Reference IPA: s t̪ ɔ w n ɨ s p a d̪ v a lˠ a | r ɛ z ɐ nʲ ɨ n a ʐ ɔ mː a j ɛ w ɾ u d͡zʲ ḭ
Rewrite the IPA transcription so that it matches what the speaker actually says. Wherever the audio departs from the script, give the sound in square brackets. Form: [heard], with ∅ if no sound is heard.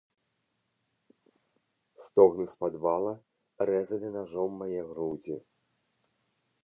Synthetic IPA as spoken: s t̪ ɔ [ɣ] n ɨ s p a d̪ v a lˠ [ɐ] | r ɛ z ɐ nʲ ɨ n a ʐ ɔ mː a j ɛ [ɣ] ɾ u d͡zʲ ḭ